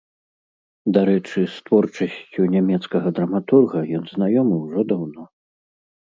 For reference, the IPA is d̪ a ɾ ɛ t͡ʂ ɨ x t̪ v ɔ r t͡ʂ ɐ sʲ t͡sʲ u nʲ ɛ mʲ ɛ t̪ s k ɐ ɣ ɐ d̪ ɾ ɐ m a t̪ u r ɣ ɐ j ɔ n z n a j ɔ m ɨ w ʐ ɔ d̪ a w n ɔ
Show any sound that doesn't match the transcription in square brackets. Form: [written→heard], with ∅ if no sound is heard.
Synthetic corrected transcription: d̪ a ɾ ɛ t͡ʂ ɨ [x→s] t̪ v ɔ r t͡ʂ ɐ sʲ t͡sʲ u nʲ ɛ mʲ ɛ t̪ s k ɐ ɣ ɐ d̪ ɾ ɐ m a t̪ u r ɣ ɐ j ɔ n z n a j ɔ m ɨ w ʐ ɔ d̪ a w n ɔ